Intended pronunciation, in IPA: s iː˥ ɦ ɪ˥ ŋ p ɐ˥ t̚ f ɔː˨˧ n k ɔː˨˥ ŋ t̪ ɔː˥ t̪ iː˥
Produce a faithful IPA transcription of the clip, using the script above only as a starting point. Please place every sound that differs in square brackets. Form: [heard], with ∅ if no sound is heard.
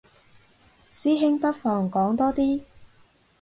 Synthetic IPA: s iː˥ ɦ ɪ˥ ŋ p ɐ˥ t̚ f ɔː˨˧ [ŋ] k ɔː˨˥ ŋ t̪ ɔː˥ t̪ iː˥